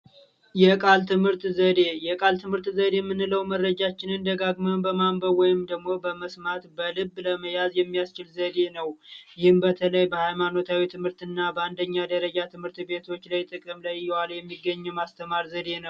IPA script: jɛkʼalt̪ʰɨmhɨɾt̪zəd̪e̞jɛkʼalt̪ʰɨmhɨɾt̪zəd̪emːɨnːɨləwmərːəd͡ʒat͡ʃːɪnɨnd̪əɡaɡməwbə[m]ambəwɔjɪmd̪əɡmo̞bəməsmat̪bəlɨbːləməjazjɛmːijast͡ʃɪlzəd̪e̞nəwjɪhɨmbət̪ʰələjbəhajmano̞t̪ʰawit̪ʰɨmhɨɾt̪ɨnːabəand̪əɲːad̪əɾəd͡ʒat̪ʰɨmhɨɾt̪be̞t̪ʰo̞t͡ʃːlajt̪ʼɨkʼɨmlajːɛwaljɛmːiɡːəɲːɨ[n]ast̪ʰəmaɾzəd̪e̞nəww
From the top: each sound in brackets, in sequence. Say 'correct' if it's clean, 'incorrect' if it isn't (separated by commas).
correct, incorrect